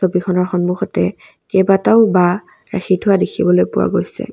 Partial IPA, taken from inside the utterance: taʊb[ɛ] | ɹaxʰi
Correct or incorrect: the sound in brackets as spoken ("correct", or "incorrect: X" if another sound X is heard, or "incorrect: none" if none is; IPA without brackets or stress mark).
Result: incorrect: a